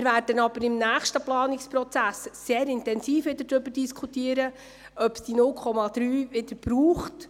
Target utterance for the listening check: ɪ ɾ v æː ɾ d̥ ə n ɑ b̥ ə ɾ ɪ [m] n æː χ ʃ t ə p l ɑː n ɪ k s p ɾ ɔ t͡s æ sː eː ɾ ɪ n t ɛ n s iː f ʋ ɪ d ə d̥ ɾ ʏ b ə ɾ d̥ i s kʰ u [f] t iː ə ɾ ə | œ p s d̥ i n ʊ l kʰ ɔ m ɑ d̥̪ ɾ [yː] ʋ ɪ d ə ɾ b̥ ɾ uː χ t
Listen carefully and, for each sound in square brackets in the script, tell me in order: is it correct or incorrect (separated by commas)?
correct, incorrect, correct